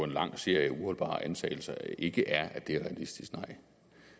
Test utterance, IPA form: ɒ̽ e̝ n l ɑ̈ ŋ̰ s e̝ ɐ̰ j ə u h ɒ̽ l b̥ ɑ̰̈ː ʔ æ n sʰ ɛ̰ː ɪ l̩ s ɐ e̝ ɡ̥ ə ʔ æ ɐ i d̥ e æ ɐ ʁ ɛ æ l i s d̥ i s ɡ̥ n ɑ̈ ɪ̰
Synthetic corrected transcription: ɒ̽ e̝ n l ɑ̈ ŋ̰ s e̝ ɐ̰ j ə u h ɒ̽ l b̥ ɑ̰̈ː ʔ æ n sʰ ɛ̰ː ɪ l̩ s ɐ e̝ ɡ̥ ə ʔ æ ɐ æ d̥ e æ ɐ ʁ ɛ æ l i s d̥ i s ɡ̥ n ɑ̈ ɪ̰

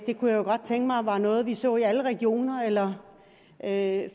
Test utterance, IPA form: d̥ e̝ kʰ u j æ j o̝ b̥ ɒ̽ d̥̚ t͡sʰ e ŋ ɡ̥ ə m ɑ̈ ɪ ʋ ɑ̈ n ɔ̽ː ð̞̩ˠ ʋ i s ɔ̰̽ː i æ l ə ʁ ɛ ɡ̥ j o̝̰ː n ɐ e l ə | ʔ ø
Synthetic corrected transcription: d̥ e̝ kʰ u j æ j o̝ ɡ̥ ɒ̽ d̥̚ t͡sʰ e ŋ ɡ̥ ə m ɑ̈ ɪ ʋ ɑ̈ n ɔ̽ː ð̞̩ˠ ʋ i s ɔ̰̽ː i æ l ə ʁ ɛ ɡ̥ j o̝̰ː n ɐ e l ɐ | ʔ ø

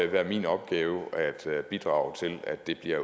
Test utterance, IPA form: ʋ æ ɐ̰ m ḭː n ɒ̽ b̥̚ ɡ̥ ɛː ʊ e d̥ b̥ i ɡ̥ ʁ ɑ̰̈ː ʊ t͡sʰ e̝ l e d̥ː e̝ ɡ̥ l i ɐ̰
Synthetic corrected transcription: ʋ æ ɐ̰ m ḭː n ɒ̽ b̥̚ ɡ̥ ɛː ʊ æ d̥ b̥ i d̥ ʁ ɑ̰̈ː ʊ t͡sʰ e̝ l æ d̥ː e̝ b̥ l i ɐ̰

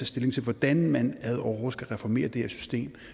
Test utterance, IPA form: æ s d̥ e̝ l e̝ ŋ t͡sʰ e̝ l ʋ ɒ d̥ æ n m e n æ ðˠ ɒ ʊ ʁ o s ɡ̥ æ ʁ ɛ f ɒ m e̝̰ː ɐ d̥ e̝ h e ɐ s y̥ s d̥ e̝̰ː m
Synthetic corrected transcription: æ s d̥ e̝ l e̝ ŋ t͡sʰ e̝ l ʋ ɒ d̥ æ n m æ n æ ðˠ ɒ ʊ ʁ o s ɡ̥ æ ʁ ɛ f ɒ m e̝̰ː ɐ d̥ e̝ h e ɐ s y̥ s d̥ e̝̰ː m

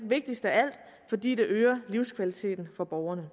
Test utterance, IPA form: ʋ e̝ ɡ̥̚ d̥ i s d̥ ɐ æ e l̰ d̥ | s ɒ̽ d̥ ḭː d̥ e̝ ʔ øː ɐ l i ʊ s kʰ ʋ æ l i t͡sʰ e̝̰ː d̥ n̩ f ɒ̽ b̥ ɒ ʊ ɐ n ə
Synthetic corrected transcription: ʋ e̝ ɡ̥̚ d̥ i s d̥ ə æ æ l̰ d̥ | f ɒ̽ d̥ ḭː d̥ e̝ ʔ øː ɐ l i ʊ s kʰ ʋ æ l i t͡sʰ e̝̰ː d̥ n̩ f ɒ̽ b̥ ɒ ʊ ɐ n ə

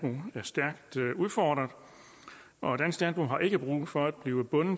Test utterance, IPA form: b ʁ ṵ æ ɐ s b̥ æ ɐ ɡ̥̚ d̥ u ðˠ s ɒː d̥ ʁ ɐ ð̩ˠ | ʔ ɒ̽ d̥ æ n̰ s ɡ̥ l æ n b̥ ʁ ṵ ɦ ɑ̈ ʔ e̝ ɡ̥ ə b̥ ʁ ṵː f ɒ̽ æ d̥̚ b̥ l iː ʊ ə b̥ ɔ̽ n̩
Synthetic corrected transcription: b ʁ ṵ æ ɐ s d̥ æ ɐ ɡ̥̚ d̥ u ðˠ f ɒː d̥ ʁ ɐ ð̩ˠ | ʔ ɒ̽ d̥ æ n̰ s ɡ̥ l æ n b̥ ʁ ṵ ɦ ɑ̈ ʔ e̝ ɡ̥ ə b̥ ʁ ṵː f ɒ̽ æ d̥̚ b̥ l iː ʊ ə b̥ ɔ̽ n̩

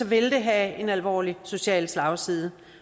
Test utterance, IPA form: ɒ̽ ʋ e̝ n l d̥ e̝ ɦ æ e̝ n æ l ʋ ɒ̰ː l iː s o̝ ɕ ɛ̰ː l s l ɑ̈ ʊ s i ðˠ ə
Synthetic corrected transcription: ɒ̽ ʋ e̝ l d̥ e̝ ɦ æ e̝ n æ l ʋ ɒ̰ː l i s o̝ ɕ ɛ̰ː l s l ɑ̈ ʊ s i ðˠ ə

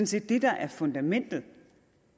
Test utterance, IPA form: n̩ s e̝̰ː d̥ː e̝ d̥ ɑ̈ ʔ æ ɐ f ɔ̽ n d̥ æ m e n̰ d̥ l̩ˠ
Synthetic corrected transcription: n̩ s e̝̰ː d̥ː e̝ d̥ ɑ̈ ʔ æ ɐ f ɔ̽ n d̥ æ m e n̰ d̥ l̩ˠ

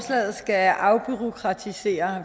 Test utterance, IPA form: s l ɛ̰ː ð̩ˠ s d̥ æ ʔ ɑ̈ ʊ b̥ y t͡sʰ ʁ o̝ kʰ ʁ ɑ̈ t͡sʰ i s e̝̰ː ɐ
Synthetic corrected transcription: s l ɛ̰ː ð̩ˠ s ɡ̥ æ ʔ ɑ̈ ʊ b̥ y ʁ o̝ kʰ ʁ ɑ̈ t͡sʰ i s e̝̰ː ɐ

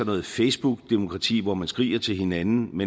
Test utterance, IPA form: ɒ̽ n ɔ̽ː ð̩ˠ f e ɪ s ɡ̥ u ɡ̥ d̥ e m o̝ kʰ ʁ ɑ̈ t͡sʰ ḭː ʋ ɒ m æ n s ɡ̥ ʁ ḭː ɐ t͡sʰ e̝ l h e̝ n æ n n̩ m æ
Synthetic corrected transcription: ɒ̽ n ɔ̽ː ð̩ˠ f e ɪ s b̥ u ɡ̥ d̥ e m o̝ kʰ ʁ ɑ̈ t͡sʰ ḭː ʋ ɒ m æ n s ɡ̥ ʁ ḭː ɐ t͡sʰ e̝ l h e̝ n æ n n̩ m e

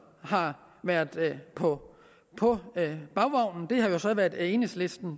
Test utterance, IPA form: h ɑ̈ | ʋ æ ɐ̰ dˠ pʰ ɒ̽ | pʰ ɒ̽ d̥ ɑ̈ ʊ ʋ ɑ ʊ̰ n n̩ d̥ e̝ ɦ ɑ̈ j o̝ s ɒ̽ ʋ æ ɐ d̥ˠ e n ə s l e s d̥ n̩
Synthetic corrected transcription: h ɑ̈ | ʋ æ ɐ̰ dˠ pʰ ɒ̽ | pʰ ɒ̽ b̥ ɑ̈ ʊ ʋ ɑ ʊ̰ n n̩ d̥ e̝ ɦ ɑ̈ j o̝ s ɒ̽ ʋ æ ɐ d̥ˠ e n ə s l e s d̥ n̩

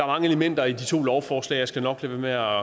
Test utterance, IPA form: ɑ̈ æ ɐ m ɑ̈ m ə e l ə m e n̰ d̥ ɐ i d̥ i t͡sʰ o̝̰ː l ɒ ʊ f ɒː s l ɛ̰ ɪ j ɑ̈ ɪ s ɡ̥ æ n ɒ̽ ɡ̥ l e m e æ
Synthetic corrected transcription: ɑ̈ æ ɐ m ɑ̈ ŋ ə e l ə m e n̰ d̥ ɐ i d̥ i t͡sʰ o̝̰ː l ɒ ʊ f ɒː s l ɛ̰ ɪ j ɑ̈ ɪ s ɡ̥ æ n ɒ̽ ɡ̥ l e m e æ

